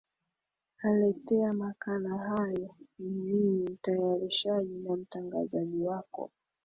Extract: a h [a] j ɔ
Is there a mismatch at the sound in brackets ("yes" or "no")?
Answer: no